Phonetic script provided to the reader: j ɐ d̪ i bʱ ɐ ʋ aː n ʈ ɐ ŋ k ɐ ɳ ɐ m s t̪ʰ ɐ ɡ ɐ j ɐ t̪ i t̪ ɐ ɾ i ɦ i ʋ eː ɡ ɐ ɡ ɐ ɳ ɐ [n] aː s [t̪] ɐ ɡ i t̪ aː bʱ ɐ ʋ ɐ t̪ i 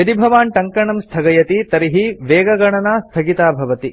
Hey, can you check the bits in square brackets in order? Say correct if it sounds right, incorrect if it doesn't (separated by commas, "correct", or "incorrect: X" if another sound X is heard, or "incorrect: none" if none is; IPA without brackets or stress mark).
correct, incorrect: t̪ʰ